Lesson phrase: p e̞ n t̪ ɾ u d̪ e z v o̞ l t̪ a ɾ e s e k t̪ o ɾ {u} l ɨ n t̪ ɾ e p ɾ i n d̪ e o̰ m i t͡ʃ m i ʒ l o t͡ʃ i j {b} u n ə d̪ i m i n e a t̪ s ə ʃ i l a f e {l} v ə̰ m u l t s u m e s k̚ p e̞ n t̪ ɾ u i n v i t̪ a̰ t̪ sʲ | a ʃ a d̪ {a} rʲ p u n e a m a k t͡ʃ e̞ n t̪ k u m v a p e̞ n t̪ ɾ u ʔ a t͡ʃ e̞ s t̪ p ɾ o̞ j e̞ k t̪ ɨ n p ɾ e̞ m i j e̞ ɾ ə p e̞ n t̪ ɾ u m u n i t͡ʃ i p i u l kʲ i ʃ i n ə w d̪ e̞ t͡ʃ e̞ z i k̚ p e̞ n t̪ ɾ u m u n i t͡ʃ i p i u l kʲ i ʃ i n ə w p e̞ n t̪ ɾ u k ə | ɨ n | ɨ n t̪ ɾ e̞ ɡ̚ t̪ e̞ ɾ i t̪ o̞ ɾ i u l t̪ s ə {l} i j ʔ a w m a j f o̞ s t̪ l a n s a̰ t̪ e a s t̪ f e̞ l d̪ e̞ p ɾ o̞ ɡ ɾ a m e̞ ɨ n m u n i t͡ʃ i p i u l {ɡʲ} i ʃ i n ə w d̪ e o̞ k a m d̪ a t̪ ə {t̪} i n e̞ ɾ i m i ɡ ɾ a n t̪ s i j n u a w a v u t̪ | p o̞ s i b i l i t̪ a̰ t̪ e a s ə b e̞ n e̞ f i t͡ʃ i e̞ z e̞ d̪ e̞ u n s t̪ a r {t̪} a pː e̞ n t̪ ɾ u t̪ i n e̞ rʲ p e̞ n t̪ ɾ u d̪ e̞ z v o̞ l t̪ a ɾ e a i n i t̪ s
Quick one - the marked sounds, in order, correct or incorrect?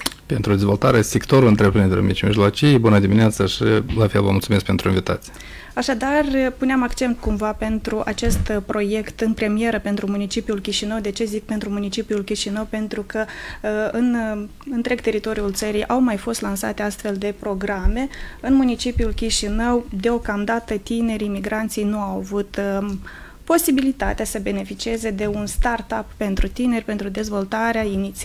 correct, correct, correct, correct, incorrect: ɾ, incorrect: kʲ, correct, correct

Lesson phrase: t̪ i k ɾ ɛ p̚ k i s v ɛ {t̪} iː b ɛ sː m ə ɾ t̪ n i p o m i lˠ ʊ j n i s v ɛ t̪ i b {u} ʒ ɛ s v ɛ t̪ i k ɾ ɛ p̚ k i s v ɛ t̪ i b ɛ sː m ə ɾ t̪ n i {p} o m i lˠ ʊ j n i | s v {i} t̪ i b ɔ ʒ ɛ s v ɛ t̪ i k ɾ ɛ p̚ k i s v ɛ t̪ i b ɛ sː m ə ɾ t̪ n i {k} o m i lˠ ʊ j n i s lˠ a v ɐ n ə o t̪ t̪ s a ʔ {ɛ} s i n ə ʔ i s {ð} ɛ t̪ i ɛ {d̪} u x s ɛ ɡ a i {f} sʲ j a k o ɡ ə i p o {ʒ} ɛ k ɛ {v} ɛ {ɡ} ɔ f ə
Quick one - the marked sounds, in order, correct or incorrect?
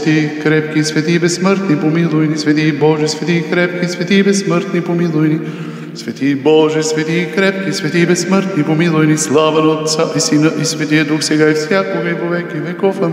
correct, incorrect: ɔ, correct, incorrect: ɛ, incorrect: p, incorrect: i, incorrect: v, correct, correct, incorrect: v, correct, incorrect: k

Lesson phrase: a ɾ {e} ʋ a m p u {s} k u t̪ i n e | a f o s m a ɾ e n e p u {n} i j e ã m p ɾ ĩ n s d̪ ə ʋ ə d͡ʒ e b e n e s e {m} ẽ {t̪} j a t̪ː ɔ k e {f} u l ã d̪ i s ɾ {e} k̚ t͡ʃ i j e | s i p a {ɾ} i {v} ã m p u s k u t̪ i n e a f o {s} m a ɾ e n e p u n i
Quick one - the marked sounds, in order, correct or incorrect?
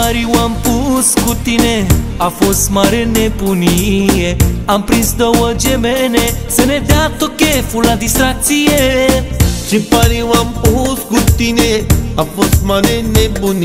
incorrect: i, correct, correct, incorrect: n, incorrect: d̪, correct, incorrect: a, correct, incorrect: ʋ, correct

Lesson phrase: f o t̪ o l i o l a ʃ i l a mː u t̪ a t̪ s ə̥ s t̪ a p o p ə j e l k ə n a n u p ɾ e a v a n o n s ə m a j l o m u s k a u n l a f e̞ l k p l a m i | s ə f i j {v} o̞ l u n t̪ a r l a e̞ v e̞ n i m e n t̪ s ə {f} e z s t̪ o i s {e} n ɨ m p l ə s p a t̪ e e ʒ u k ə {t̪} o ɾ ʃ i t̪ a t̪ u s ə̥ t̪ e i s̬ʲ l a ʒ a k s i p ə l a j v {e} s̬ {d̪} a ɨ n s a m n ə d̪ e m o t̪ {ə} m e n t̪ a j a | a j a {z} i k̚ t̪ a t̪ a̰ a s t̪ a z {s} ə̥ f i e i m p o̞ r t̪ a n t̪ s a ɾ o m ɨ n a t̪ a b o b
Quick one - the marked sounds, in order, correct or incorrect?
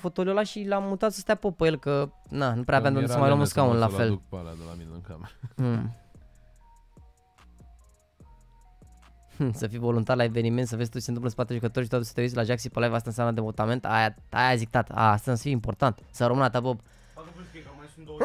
correct, incorrect: v, correct, correct, incorrect: a, incorrect: t̪, incorrect: a, correct, correct

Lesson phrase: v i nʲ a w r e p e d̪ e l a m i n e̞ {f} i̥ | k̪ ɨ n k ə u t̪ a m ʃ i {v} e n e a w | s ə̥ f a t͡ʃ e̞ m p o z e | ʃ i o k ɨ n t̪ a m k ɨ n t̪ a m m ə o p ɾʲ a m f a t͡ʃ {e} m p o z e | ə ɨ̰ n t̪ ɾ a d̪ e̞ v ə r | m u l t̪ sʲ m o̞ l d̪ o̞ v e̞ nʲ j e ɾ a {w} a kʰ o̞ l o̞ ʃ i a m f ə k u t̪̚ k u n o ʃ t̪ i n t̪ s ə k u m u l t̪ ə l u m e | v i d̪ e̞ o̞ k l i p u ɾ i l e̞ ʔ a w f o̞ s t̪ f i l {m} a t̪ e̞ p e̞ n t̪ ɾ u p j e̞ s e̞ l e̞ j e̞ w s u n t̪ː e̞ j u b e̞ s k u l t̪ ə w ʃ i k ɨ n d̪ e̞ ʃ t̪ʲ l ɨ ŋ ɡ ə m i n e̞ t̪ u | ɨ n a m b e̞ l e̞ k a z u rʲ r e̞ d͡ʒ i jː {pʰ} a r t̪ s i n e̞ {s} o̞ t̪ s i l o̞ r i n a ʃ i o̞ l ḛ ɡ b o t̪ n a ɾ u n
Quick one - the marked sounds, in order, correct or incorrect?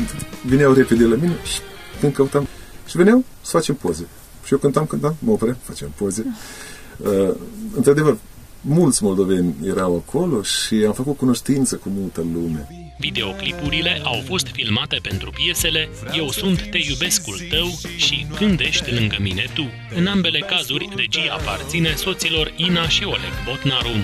incorrect: ʃ, correct, correct, correct, correct, incorrect: p, correct

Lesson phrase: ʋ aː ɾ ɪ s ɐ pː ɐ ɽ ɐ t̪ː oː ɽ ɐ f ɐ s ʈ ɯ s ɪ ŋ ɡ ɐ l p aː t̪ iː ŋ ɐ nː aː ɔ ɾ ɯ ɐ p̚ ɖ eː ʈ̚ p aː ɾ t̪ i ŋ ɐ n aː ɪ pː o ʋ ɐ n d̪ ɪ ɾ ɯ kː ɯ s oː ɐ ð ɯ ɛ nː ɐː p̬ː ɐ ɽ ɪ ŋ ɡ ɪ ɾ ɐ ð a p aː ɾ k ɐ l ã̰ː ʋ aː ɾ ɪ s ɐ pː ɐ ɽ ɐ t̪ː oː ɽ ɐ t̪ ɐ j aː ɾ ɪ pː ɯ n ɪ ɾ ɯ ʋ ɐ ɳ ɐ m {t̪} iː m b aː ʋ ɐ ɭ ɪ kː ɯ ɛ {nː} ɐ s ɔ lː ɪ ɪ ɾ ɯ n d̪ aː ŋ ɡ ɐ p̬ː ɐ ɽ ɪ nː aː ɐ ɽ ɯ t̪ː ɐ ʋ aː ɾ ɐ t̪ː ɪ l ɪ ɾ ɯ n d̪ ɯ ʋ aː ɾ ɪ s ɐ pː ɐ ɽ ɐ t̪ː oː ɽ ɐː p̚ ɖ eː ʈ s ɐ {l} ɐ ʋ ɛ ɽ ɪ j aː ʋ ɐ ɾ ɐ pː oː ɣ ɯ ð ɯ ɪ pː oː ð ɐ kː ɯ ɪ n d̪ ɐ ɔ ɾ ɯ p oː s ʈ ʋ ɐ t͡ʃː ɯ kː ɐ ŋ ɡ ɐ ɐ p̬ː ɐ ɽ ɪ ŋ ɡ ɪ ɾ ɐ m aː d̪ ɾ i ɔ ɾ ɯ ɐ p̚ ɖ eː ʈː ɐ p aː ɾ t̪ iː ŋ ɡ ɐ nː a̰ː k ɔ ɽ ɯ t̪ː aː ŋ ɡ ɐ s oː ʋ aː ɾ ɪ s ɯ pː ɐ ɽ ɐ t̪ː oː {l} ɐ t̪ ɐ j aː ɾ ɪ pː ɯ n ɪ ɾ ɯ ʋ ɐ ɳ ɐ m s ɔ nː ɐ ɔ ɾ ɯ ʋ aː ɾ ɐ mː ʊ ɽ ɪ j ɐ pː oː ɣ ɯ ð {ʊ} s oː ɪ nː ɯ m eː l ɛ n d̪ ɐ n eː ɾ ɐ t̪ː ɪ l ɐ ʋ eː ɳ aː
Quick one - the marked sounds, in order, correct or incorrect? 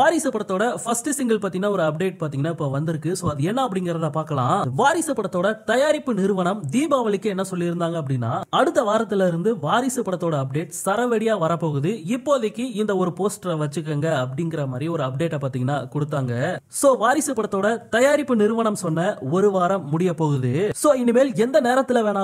incorrect: d̪, correct, incorrect: ɾ, incorrect: ɽ, incorrect: ɯ

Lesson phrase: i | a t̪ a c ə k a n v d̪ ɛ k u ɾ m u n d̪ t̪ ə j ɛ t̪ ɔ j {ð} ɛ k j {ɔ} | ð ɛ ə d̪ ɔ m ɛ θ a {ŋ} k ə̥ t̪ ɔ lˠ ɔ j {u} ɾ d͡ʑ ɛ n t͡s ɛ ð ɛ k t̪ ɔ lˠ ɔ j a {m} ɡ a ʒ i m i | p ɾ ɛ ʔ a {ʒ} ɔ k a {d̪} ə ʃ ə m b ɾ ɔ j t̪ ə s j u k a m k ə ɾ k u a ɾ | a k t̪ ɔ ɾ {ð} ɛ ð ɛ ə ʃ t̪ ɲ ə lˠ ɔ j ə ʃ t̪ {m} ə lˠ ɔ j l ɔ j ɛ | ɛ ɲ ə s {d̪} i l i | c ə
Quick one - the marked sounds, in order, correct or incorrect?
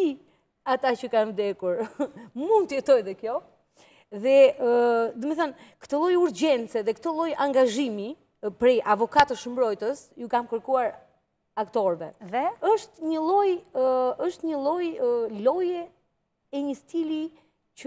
correct, correct, incorrect: n, correct, incorrect: ŋ, incorrect: v, incorrect: t̪, incorrect: v, incorrect: ɲ, incorrect: t̪

